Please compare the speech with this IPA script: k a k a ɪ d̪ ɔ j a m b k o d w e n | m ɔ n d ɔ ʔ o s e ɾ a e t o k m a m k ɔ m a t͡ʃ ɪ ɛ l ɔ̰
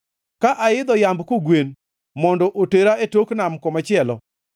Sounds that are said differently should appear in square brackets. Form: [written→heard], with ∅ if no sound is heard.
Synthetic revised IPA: k a [k→ʔ] a ɪ d̪ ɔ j a m b k o [d→ɡ] w e n | m ɔ n d ɔ ʔ o [s→t] e ɾ a e t o k [m→n] a m k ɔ m a t͡ʃ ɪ ɛ l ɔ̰